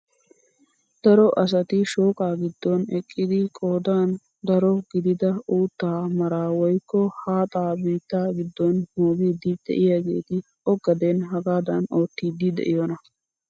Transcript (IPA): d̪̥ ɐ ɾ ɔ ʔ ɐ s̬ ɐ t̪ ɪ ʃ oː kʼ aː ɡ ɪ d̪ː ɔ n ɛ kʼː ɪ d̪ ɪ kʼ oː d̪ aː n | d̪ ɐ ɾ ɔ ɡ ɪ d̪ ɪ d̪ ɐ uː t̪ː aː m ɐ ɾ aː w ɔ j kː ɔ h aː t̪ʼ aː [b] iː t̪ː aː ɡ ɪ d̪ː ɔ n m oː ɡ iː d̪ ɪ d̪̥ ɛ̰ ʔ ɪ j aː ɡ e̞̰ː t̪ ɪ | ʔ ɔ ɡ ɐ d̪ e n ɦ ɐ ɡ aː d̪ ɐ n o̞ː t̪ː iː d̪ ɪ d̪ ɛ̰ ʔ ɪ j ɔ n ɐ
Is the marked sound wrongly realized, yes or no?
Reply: no